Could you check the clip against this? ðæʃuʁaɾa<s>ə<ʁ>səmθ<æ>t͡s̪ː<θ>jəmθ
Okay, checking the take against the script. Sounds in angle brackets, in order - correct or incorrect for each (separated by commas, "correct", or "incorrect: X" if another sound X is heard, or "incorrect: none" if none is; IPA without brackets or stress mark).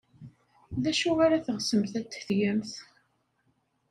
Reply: incorrect: θ, correct, correct, correct